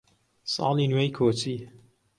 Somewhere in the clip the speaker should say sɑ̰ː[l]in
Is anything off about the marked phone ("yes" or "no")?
no